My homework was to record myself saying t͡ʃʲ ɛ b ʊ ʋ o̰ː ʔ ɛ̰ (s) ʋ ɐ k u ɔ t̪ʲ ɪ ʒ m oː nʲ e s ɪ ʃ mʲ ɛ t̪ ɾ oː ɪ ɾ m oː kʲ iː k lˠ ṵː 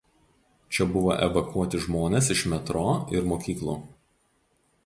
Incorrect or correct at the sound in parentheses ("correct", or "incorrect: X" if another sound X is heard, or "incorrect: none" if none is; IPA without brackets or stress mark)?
incorrect: none